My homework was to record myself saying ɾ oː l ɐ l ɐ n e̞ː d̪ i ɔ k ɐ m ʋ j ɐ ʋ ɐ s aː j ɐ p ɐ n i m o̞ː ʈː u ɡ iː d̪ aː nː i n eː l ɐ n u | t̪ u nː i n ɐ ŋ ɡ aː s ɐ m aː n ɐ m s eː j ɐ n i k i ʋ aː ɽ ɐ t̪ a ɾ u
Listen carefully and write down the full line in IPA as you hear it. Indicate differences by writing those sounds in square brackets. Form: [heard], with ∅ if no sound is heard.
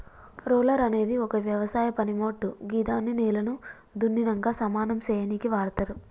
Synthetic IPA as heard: ɾ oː l ɐ [ɾ] ɐ n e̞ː d̪ i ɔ k ɐ [∅] ʋ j ɐ ʋ ɐ s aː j ɐ p ɐ n i m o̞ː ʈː u ɡ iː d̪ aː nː i n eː l ɐ n u | [d̪] u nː i n ɐ ŋ ɡ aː s ɐ m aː n ɐ m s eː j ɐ n i k i ʋ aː ɽ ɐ t̪ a ɾ u